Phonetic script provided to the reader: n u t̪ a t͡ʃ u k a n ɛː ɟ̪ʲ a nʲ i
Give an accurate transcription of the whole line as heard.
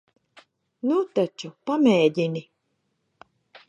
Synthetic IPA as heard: n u t̪ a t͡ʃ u p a m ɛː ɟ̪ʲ i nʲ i